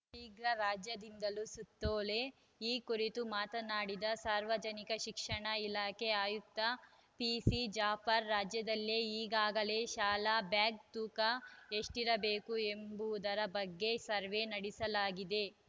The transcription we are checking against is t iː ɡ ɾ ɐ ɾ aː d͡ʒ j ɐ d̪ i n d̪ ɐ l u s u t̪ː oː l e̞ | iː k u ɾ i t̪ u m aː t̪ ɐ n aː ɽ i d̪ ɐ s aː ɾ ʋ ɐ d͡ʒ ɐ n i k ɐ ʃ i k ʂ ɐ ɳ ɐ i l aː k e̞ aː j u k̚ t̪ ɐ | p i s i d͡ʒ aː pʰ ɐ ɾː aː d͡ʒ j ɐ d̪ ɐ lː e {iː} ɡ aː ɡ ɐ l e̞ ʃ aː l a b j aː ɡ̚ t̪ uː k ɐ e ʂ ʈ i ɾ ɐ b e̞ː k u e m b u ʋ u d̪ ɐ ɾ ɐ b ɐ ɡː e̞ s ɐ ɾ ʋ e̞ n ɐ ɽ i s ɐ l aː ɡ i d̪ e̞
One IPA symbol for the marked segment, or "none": iː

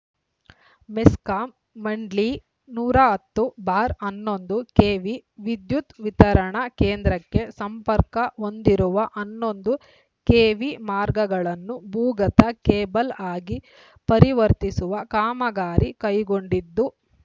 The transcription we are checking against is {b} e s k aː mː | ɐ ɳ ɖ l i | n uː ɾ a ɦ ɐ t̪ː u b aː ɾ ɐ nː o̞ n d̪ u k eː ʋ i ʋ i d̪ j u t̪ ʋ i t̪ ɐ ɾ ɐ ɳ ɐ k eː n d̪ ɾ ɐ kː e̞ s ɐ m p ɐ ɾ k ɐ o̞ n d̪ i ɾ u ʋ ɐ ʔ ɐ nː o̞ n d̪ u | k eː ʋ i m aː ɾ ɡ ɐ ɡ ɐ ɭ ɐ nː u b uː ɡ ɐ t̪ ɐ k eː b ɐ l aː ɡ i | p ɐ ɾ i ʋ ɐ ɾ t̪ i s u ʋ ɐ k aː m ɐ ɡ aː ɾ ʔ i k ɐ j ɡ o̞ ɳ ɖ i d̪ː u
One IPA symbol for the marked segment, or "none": m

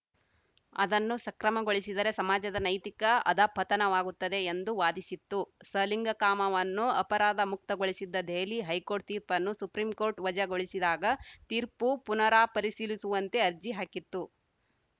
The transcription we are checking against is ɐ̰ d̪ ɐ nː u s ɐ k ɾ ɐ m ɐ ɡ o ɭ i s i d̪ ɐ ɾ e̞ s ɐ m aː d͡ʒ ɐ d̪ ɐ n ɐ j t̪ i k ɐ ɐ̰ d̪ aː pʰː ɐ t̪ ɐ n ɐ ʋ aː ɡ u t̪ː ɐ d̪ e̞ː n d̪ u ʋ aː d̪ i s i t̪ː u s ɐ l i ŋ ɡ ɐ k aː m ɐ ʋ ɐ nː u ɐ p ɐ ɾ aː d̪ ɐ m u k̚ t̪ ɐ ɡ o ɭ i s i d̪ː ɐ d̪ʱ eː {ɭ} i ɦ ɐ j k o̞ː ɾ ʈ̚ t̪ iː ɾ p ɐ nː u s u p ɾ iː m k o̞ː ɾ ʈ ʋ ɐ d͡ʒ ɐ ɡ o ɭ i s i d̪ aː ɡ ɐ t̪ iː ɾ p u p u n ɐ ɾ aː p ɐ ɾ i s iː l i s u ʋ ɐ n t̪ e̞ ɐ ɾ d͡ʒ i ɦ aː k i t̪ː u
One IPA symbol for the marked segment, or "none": l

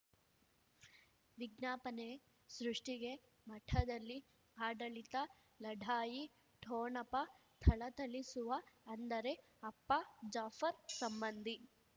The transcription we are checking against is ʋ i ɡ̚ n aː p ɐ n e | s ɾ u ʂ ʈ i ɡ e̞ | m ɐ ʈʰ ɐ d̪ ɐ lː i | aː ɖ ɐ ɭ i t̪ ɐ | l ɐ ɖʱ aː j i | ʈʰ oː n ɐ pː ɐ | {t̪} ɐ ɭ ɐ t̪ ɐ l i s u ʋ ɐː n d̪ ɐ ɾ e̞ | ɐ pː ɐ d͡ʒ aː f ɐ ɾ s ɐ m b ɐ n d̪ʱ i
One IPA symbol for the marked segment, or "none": t̪ʰ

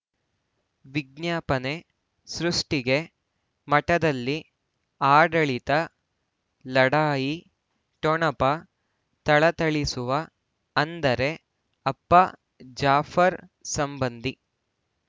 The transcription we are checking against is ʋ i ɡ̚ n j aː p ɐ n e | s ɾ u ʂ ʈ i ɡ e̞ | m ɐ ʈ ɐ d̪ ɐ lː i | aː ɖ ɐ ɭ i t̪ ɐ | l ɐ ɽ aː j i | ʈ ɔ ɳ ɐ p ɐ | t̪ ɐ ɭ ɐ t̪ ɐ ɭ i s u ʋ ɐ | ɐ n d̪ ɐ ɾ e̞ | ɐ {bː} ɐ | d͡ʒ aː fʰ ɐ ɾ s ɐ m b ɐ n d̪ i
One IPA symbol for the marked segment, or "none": pː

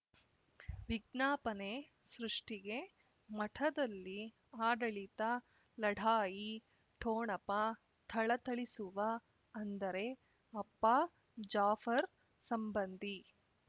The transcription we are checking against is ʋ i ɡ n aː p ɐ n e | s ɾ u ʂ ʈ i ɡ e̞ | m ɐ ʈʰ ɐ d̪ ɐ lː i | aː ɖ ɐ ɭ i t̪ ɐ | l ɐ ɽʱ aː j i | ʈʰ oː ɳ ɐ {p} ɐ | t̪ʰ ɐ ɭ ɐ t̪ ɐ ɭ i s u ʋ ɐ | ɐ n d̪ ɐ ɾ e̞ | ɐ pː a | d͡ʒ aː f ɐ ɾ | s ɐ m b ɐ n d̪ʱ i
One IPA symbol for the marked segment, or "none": p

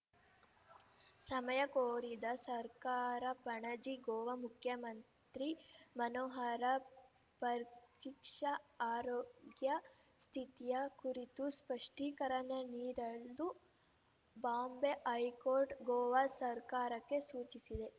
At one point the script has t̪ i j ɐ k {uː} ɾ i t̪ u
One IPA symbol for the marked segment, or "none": u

